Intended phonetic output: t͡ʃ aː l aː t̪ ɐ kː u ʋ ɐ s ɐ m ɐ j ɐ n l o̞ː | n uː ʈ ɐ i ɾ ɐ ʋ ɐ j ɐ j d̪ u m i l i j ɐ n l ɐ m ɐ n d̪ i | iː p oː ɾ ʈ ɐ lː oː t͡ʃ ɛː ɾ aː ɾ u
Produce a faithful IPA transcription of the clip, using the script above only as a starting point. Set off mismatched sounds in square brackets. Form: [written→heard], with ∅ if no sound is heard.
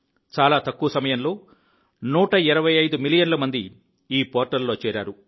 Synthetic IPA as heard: t͡ʃ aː l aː t̪ ɐ kː u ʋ ɐ s ɐ m ɐ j ɐ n l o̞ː | n uː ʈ ɐ i ɾ ɐ ʋ ɐ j ɐ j d̪ u m i l i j ɐ n l ɐ m ɐ n d̪ i | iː p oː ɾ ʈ ɐ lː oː t͡ʃ ɛː ɾ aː ɾ u